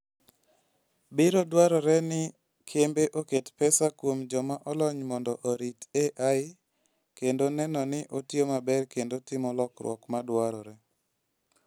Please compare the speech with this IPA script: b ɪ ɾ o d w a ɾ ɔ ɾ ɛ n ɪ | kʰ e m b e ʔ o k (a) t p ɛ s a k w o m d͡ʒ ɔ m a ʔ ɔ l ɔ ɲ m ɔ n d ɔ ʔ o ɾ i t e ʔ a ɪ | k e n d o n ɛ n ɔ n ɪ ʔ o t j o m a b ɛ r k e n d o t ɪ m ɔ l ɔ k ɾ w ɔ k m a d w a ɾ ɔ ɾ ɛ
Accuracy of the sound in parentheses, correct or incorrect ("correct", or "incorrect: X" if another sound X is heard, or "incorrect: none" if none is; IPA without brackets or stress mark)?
incorrect: e